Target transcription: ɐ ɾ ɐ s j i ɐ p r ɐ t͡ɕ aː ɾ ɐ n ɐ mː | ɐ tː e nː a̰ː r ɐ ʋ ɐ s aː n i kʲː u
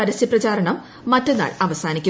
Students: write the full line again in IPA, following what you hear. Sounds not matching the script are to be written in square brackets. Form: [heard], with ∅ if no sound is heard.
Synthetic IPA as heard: ɐ ɾ ɐ s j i ɐ p r ɐ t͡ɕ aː ɾ ɐ [ɳ] ɐ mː | ɐ tː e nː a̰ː [ɭ] ɐ ʋ ɐ s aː n i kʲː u